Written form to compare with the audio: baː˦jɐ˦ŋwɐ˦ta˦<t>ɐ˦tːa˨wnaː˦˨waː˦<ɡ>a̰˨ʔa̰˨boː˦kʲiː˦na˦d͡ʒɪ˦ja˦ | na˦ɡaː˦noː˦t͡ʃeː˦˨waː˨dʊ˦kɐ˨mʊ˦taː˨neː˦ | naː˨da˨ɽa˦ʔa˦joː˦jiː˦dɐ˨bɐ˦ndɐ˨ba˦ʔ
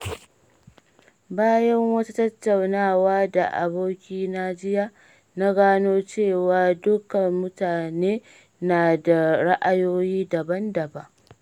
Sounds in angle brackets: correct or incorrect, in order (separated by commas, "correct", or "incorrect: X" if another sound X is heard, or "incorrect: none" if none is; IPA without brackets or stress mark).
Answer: correct, incorrect: d